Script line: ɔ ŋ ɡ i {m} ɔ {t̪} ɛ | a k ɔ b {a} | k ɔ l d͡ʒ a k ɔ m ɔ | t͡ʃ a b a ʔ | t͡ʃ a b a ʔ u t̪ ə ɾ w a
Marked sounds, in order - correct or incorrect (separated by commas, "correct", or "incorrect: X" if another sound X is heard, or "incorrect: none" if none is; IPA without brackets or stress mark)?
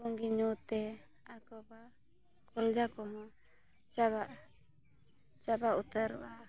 incorrect: ɲ, correct, correct